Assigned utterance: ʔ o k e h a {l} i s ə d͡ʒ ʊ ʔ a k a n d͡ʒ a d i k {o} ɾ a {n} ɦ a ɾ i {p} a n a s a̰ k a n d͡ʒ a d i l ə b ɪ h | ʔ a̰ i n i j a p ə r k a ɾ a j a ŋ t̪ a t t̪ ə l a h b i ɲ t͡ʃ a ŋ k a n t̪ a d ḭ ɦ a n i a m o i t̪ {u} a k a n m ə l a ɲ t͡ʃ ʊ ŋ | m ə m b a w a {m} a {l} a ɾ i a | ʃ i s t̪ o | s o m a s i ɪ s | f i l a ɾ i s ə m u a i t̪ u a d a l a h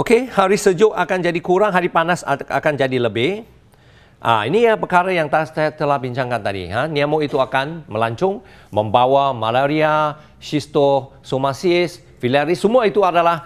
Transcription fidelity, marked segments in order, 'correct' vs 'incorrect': incorrect: ɾ, incorrect: u, incorrect: ŋ, correct, correct, correct, correct

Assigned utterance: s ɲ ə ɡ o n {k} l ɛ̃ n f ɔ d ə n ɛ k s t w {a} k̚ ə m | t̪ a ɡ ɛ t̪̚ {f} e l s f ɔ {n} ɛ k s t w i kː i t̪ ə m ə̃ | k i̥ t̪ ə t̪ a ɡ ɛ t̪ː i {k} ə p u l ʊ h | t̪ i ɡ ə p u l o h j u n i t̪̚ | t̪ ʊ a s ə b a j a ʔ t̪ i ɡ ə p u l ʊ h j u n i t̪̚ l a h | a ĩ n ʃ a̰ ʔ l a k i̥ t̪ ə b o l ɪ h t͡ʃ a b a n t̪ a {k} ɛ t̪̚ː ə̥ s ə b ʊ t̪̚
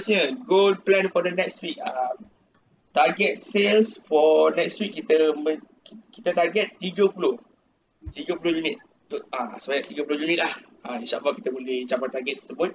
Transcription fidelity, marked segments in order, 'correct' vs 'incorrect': incorrect: p, incorrect: i, incorrect: s, correct, incorrect: ɡ, incorrect: ɡ

